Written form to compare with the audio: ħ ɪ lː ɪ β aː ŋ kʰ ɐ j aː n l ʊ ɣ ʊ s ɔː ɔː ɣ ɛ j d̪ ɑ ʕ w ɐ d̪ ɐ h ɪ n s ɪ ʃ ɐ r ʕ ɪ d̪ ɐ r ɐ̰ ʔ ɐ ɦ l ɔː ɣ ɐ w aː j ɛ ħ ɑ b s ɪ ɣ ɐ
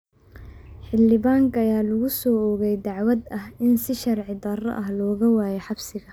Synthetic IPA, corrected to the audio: ħ ɪ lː ɪ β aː ŋ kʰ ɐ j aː l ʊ ɣ ʊ s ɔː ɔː ɣ ɛ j d̪ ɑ ʕ w ɐ d̪ ɐ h ɪ n s ɪ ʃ ɐ r ʕ ɪ d̪ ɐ r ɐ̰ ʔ ɐ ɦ l ɔː ɣ ɐ w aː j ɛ ħ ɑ b s ɪ ɣ ɐ